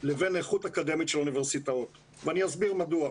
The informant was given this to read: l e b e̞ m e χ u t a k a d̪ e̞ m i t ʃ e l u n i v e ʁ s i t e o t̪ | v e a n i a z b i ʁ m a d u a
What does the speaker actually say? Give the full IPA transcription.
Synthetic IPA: l e v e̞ n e χ u t a k a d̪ e̞ m i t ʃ e l u n i v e ʁ s i t a o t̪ | v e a n i a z b i ʁ m a d u a